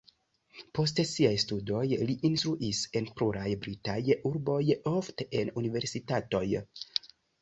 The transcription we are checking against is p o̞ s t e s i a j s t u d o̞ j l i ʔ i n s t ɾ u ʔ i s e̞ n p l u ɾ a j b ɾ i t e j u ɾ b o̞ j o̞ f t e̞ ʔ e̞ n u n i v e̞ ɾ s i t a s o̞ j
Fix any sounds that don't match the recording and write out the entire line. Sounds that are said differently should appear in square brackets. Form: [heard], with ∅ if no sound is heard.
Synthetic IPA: p o̞ s t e s i a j s t u d o̞ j l i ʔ i n s t ɾ u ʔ i s e̞ n p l u ɾ a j b ɾ i t [a] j u ɾ b o̞ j o̞ f t e̞ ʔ e̞ n u n i v e̞ ɾ s i t a [t] o̞ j